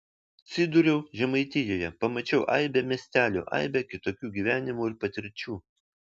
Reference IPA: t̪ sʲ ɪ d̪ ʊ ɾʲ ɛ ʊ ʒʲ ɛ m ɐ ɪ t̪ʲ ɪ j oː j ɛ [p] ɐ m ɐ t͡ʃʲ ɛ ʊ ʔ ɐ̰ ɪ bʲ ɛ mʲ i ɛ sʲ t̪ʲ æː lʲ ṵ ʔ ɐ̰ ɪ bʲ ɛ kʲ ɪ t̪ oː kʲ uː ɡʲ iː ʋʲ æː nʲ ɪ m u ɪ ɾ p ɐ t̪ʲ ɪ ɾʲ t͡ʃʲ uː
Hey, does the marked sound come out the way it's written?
yes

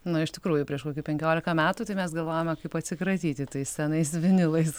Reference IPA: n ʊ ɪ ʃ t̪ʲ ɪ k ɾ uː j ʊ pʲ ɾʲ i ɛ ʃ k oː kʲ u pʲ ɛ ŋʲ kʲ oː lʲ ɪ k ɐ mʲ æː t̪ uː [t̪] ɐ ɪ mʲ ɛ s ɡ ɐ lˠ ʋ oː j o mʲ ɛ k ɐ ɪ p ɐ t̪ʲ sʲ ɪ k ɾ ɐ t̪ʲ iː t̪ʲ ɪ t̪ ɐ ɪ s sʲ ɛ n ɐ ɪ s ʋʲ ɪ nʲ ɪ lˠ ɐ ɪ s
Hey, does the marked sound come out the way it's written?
yes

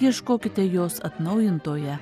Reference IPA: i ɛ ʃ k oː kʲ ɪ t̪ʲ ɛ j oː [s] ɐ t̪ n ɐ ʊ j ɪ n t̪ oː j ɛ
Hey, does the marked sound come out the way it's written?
yes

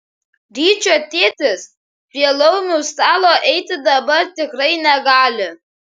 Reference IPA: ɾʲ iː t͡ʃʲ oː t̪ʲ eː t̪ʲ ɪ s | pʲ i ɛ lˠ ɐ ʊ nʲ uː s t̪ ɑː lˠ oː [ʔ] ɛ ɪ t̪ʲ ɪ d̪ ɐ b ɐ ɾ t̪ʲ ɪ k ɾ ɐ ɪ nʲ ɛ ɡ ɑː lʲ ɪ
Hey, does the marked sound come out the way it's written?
yes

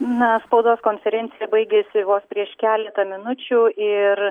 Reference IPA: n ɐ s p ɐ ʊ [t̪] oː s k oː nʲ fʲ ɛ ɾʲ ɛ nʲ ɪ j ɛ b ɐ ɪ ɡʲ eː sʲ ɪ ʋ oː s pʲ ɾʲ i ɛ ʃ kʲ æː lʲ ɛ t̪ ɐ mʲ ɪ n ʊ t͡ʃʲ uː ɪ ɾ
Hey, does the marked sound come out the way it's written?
no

